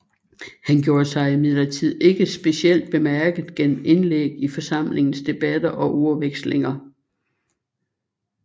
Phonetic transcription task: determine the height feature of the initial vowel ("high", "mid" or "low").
low